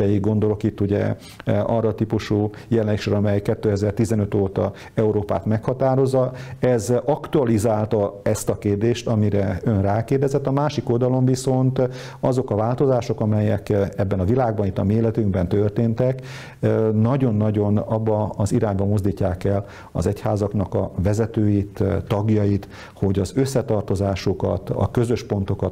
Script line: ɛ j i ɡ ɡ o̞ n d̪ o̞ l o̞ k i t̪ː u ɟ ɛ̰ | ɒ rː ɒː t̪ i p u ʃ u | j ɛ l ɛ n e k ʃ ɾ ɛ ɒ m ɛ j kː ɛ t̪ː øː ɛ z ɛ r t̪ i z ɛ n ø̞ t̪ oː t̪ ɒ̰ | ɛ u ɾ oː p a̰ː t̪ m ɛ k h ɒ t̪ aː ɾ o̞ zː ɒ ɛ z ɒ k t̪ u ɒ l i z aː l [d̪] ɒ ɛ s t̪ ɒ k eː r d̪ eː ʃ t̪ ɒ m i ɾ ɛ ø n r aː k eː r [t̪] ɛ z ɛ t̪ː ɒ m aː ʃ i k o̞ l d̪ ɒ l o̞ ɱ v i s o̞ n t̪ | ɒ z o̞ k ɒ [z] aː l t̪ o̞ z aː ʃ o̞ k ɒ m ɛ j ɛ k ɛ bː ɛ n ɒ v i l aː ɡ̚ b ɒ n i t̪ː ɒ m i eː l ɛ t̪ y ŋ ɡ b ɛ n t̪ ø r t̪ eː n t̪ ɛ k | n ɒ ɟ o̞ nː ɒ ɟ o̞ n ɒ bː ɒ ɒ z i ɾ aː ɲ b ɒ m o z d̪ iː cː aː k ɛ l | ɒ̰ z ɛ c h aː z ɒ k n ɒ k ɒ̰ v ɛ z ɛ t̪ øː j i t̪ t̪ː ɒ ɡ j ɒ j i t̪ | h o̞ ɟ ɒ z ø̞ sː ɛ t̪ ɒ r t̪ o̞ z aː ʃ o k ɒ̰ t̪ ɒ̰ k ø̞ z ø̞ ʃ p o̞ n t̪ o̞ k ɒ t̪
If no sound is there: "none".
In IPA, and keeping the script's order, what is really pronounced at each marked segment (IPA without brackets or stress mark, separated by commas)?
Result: t̪, d̪, v